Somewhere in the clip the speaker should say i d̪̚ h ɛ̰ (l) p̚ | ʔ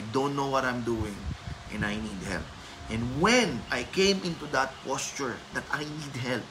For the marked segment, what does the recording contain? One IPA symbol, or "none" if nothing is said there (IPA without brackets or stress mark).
l